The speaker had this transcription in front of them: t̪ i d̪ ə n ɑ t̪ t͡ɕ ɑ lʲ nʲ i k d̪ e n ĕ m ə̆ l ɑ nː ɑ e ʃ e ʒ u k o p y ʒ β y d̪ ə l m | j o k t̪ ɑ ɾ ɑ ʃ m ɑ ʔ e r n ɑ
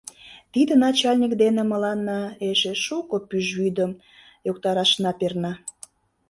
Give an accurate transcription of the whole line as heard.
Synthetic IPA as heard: t̪ i d̪ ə n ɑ t͡ɕ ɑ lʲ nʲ i k d̪ e n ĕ m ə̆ l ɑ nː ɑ e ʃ e ʃ u k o p y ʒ β y d̪ ə m | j o k t̪ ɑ ɾ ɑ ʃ n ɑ p e r n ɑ